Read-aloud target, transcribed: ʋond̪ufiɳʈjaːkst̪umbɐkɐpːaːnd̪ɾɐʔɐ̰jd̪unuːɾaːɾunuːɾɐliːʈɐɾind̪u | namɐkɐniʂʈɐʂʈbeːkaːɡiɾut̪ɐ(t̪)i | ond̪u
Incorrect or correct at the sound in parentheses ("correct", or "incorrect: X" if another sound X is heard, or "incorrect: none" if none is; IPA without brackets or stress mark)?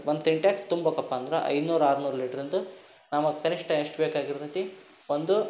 correct